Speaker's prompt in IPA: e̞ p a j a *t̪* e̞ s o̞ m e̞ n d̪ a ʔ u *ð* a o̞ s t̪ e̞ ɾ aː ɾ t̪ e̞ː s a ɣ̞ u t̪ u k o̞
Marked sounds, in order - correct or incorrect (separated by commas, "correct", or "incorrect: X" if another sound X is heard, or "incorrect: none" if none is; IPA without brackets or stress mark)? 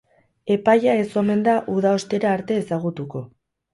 incorrect: none, correct